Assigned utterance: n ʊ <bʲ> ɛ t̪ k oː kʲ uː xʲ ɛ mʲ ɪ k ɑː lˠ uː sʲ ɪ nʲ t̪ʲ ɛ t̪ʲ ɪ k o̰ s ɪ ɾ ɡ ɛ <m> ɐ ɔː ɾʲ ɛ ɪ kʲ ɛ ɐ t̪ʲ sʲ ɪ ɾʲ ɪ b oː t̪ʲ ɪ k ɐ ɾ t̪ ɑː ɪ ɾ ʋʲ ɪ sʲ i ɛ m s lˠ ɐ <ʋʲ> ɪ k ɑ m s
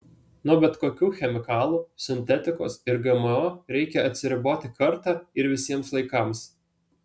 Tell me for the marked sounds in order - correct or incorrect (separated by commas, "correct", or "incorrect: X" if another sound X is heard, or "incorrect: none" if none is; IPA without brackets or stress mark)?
correct, correct, incorrect: none